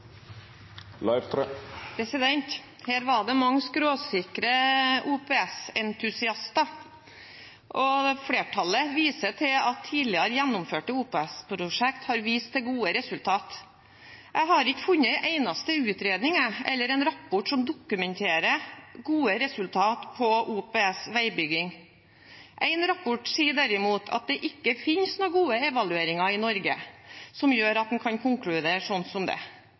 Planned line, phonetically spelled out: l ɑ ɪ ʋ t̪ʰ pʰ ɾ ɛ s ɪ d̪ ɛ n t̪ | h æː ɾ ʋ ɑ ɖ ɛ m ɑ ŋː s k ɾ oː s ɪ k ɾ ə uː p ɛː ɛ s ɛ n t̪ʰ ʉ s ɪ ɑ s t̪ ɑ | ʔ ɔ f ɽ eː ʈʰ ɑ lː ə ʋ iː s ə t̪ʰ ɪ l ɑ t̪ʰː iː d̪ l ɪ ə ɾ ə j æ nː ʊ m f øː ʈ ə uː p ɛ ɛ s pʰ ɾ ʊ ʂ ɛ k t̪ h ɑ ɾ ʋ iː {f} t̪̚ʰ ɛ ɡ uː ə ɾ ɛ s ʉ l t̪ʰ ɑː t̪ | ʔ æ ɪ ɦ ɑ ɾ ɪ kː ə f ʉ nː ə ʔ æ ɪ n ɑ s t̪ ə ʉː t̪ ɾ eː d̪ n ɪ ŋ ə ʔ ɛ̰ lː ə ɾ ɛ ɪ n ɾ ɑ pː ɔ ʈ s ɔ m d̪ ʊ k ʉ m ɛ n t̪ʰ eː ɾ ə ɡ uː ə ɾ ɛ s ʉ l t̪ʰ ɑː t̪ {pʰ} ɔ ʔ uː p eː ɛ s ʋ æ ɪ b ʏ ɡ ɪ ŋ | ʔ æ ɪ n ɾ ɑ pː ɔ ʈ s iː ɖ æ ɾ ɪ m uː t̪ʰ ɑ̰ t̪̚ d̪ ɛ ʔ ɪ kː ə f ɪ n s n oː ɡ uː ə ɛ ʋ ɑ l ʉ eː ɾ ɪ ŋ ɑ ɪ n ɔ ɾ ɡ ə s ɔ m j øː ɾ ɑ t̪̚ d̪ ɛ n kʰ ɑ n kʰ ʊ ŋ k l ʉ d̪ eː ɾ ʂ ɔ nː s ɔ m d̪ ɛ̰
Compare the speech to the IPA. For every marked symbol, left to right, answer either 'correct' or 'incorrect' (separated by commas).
incorrect, correct